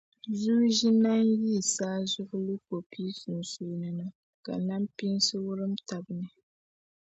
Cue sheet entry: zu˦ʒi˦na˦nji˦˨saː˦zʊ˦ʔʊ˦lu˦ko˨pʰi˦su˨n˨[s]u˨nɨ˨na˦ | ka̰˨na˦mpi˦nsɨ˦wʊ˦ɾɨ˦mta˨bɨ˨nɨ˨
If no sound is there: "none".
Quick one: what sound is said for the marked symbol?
s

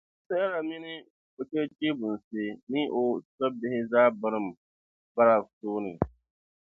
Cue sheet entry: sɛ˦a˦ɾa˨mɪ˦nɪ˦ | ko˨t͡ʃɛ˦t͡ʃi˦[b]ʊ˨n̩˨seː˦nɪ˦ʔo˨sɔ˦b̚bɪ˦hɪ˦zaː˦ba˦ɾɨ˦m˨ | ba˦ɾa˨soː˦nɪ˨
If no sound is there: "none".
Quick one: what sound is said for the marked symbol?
b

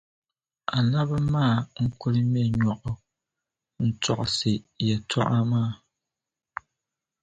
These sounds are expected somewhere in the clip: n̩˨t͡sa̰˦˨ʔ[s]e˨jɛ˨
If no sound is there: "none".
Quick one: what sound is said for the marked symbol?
s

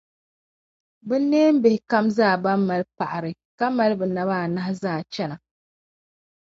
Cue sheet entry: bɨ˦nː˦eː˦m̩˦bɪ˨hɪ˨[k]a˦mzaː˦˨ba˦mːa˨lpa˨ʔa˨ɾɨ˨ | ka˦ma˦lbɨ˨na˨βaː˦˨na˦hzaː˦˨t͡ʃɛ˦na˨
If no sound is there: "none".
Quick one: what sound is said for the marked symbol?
k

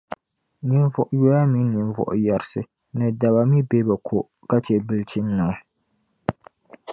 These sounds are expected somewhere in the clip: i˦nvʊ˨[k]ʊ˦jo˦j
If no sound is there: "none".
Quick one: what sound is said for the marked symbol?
ʔ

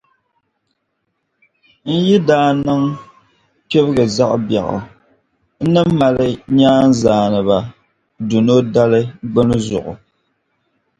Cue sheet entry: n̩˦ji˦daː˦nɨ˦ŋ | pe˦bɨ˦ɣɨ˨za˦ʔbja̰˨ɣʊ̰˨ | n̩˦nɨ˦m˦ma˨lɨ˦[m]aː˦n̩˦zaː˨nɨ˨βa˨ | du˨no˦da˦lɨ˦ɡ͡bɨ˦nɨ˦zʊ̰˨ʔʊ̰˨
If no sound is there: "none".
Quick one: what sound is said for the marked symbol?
ɲ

